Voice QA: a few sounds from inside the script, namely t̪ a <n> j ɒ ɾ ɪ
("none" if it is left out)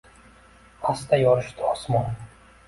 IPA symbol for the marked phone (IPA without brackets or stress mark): none